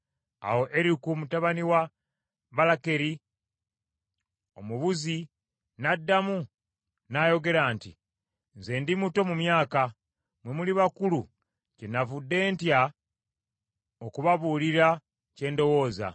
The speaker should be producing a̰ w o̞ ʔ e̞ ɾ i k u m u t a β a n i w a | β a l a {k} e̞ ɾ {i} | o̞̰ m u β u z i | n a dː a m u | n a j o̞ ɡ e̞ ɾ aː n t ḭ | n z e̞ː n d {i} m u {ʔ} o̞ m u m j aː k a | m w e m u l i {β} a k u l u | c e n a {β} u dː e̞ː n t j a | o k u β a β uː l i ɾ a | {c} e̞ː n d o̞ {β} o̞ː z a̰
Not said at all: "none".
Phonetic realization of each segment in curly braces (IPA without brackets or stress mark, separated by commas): k, i, i, t, β, v, c, w